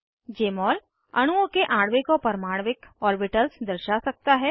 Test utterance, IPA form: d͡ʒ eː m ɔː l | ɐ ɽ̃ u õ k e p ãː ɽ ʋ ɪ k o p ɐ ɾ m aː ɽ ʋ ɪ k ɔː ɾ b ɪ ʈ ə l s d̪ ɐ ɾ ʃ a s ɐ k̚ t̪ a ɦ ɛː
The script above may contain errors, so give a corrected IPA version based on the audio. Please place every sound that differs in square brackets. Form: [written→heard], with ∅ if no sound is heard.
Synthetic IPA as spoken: d͡ʒ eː m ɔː l | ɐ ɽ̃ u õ k e [p→ʔ] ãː ɽ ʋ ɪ k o p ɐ ɾ m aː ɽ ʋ ɪ k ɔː ɾ b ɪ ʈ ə l s d̪ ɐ ɾ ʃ a s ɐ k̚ t̪ a ɦ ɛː